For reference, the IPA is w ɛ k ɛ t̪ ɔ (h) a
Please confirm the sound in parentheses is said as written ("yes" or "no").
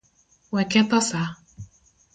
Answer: no